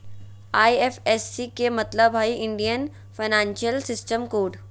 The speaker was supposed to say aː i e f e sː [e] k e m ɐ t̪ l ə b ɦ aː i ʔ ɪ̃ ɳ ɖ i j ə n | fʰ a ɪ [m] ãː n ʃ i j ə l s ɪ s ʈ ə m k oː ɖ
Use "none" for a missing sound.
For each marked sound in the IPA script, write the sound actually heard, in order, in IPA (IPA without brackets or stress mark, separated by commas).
i, n